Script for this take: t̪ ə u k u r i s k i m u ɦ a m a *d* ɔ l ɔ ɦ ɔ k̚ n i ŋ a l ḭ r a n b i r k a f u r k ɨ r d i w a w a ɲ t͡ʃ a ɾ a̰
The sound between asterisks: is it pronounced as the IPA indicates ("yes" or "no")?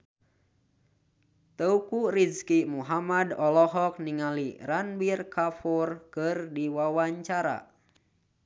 yes